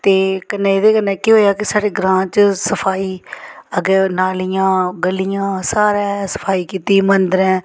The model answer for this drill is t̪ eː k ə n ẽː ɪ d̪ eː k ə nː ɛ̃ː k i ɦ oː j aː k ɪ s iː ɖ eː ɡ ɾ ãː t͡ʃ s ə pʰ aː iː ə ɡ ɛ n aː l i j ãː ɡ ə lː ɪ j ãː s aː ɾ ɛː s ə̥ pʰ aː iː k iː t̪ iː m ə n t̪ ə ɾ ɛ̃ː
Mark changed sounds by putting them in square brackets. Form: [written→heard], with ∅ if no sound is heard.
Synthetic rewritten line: t̪ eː k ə n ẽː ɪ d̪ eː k ə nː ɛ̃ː k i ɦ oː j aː k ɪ s [iː→aː] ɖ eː ɡ ɾ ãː t͡ʃ s ə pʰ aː iː ə ɡ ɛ n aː l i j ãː ɡ ə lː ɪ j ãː s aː ɾ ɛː s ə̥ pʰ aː iː k iː t̪ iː m ə n [t̪→d̪] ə ɾ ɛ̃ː